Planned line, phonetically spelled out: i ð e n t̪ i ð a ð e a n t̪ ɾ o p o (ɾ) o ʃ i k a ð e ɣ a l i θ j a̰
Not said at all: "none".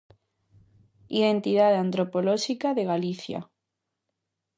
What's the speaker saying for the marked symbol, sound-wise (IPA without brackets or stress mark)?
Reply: l